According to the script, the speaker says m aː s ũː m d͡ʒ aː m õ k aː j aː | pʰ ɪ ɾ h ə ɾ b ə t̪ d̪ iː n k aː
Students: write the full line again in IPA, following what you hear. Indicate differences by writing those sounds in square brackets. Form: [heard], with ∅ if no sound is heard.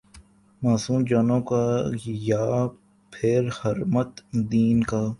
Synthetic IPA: m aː s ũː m d͡ʒ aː [n] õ k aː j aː | pʰ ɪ ɾ h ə ɾ [m] ə t̪ d̪ iː n k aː